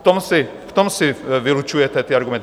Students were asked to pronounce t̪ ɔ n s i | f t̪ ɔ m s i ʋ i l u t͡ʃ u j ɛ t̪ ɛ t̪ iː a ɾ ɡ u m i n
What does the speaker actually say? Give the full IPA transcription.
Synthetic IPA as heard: t̪ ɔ m s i | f t̪ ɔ m s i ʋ i l u t͡ʃ u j ɛ t̪ ɛ t̪ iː a ɾ ɡ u m ɛ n